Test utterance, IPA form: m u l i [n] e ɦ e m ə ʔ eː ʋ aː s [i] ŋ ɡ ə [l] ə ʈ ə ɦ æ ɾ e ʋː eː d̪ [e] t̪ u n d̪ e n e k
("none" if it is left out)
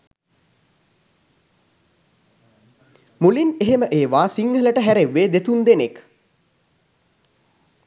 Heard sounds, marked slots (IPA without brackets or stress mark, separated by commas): n, i, l, e